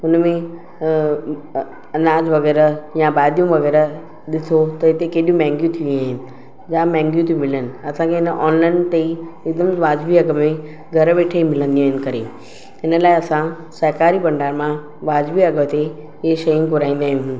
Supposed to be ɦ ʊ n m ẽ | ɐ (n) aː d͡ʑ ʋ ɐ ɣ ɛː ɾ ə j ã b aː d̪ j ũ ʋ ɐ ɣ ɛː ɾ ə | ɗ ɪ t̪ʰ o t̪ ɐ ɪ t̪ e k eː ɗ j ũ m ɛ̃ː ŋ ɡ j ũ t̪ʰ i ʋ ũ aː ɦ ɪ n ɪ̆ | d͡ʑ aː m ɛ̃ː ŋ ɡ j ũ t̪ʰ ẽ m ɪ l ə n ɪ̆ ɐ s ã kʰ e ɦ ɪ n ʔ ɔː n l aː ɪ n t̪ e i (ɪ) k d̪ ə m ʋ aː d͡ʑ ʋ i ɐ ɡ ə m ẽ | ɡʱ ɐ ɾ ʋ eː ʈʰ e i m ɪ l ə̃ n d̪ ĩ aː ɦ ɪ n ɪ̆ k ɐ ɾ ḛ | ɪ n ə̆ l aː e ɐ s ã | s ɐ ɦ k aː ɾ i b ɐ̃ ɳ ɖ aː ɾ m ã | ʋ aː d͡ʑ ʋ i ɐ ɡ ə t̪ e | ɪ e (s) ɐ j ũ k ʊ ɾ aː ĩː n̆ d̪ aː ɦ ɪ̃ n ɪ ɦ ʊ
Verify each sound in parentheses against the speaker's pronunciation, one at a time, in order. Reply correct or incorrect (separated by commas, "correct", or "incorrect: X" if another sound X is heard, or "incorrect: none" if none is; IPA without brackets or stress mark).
correct, correct, incorrect: ʃ